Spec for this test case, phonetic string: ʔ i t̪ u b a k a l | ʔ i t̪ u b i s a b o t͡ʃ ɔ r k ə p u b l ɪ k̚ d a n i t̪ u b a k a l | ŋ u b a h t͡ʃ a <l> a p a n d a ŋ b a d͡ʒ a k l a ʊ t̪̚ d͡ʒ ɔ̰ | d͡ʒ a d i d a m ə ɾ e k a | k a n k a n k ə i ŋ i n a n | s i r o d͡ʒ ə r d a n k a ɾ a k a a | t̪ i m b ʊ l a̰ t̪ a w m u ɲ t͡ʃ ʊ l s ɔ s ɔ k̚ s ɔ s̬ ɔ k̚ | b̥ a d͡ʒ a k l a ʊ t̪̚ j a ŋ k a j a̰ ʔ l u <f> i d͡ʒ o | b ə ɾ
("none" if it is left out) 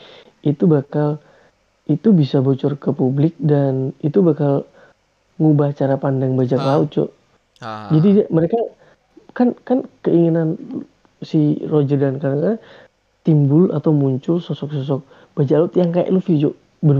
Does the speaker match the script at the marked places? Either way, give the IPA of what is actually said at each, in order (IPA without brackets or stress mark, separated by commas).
ɾ, f